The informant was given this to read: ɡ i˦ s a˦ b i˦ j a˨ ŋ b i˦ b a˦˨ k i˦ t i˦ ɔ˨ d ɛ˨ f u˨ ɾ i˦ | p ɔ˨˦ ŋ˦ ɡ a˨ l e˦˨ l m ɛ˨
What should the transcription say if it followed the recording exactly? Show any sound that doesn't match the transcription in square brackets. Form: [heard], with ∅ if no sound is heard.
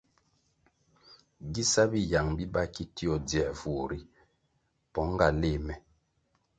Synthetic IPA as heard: ɡ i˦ s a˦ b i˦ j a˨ ŋ b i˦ b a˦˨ k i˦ t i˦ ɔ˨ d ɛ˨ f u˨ ɾ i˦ | p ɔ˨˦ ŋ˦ ɡ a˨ l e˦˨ [∅] m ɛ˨